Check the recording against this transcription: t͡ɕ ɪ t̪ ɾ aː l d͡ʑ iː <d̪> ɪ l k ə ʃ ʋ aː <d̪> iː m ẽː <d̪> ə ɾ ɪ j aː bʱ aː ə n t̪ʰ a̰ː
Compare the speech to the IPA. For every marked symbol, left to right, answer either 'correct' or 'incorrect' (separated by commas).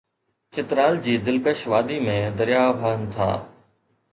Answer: correct, correct, correct